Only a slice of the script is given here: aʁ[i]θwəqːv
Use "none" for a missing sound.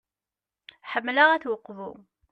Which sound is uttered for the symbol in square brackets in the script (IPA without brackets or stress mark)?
æ